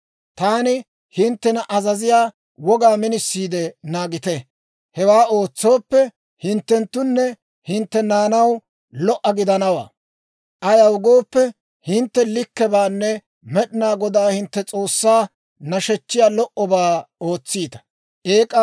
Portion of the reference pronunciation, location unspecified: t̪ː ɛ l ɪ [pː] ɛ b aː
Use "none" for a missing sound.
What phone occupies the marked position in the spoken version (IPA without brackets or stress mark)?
kː